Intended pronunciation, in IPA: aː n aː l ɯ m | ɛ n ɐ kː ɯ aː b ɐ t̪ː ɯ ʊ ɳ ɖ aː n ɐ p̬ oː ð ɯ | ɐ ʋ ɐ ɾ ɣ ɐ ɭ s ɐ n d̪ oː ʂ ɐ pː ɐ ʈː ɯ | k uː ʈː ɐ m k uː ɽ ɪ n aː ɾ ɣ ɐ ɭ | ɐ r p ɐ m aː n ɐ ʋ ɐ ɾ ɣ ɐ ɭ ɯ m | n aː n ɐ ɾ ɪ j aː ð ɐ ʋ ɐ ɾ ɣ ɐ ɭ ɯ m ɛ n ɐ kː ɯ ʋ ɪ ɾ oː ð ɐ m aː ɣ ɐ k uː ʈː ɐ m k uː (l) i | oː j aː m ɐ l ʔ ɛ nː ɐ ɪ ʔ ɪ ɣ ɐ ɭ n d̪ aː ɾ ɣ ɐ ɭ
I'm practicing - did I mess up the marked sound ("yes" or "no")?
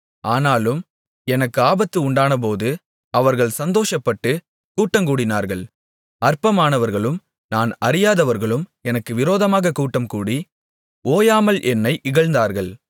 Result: yes